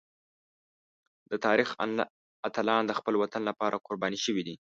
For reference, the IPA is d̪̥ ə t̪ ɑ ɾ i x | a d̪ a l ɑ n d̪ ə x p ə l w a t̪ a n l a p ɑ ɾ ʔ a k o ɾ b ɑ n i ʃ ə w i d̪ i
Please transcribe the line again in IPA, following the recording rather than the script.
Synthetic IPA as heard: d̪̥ ə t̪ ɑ ɾ i x | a t̪ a l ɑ n d̪ ə x p ə l w a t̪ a n l a p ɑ ɾ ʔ a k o ɾ b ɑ n i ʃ ə w i d̪ i